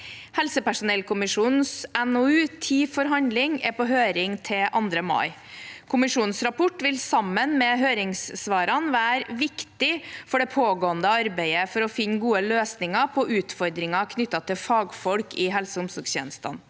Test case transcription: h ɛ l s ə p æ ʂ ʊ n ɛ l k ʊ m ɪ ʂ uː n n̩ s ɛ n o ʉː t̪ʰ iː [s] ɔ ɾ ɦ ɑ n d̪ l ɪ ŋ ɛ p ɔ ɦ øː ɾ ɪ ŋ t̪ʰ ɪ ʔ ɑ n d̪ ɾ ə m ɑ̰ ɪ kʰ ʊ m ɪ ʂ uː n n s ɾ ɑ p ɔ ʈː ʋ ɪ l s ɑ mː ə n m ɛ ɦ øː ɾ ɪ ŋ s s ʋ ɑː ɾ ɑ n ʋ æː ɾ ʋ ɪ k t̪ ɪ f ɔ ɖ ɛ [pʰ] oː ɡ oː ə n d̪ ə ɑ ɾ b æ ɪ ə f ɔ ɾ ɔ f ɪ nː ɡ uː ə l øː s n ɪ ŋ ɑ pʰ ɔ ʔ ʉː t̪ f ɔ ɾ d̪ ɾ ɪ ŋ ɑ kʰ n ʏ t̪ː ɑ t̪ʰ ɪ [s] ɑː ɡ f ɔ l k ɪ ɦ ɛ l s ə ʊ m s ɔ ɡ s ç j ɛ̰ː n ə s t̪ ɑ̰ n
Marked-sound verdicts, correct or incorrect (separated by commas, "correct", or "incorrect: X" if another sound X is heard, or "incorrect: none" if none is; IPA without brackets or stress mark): incorrect: f, correct, incorrect: f